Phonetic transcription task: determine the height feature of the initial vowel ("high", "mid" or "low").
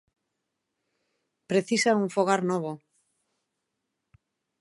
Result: mid